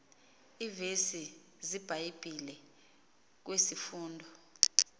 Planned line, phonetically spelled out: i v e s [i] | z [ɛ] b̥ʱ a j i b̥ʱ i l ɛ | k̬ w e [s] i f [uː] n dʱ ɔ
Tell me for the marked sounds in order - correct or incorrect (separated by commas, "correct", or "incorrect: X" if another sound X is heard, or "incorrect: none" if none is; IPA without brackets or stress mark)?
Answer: correct, incorrect: i, correct, correct